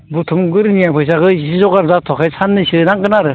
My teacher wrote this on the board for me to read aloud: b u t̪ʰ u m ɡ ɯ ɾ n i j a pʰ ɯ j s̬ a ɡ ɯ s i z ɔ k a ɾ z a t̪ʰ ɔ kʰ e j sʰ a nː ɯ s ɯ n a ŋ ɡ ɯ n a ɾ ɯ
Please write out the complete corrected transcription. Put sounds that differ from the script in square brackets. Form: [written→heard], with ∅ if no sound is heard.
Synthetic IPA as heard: b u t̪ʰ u m ɡ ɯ ɾ n i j a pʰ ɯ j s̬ a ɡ ɯ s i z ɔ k a ɾ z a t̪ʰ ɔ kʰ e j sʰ a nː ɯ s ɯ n a ŋ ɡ ɯ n a ɾ ɯ